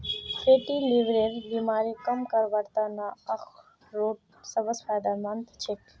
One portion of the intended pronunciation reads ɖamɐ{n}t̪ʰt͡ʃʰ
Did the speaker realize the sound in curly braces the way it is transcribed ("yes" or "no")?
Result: yes